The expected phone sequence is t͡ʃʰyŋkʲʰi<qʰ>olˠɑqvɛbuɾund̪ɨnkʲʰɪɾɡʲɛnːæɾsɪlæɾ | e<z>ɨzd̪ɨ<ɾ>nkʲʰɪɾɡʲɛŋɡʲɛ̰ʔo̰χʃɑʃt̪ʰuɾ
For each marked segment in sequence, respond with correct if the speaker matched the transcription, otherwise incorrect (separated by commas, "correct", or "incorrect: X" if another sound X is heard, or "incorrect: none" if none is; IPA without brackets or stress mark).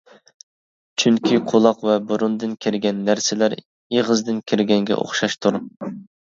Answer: correct, incorrect: ʁ, incorrect: none